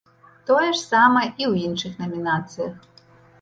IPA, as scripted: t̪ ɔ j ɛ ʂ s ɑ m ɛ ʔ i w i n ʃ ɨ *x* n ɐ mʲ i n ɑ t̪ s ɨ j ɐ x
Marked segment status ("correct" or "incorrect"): correct